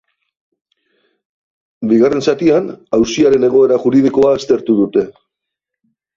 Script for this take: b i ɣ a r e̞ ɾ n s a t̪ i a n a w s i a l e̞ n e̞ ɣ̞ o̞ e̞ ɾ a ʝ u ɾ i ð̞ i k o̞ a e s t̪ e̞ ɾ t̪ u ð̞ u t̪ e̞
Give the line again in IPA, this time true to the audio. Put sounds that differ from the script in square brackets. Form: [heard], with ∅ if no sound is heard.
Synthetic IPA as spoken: b i ɣ a r e̞ [∅] n s a t̪ i a n a w s i a [ɾ] e̞ n e̞ ɣ̞ o̞ e̞ ɾ a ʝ u ɾ i ð̞ i k o̞ a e s t̪ e̞ ɾ t̪ u ð̞ u t̪ e̞